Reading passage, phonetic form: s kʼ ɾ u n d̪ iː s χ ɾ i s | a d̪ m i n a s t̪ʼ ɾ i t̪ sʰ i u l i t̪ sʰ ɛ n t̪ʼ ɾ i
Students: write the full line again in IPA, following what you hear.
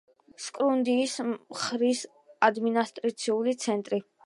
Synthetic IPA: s kʼ ɾ u n d̪ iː s χ ɾ i s | a d̪ m i n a s t̪ʼ ɾ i t̪ sʰ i u l i t̪ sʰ ɛ n t̪ʼ ɾ i